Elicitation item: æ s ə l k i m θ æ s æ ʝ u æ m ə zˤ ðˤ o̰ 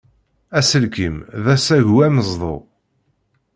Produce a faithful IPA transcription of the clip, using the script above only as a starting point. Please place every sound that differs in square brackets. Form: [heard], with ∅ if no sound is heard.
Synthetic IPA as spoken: æ s ə l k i m [ð] æ s æ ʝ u æ m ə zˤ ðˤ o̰

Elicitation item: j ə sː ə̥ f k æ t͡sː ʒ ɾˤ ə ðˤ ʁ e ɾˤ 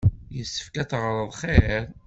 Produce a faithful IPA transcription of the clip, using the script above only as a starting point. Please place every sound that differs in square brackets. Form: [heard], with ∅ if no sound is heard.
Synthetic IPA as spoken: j ə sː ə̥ f k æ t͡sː [ʁ] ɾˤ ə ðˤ [χ] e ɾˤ

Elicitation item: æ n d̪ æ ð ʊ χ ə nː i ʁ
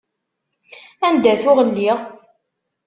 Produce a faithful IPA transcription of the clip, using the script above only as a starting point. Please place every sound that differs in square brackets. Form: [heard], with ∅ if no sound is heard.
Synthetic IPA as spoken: æ n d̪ æ [θ] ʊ [ʁ] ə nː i ʁ

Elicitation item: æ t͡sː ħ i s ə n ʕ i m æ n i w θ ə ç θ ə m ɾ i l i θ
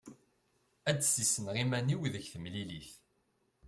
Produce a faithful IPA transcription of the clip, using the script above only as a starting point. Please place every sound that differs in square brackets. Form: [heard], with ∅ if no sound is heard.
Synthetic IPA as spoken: æ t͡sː [s] i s ə n [ʁ] i m æ n i w [ð] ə ç θ ə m [l] i l i θ

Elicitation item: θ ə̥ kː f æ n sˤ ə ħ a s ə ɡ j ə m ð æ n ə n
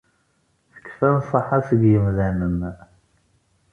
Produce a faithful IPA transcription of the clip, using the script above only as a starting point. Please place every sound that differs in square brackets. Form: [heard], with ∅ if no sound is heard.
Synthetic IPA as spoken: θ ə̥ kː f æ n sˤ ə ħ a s ə ɡ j ə m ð æ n ə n

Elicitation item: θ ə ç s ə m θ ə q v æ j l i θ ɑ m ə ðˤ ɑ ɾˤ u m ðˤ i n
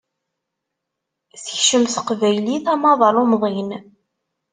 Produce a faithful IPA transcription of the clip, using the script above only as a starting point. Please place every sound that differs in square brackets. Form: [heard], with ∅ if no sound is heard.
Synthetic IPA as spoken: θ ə ç [ʃ] ə m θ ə q v æ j l i θ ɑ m [ɑ] ðˤ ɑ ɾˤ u m ðˤ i n

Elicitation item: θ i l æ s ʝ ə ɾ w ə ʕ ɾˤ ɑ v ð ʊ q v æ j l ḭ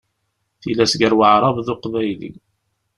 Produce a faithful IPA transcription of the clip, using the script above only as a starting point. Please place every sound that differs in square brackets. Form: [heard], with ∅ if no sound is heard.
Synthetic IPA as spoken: θ i l æ s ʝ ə ɾ w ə ʕ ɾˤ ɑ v ð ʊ q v æ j l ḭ

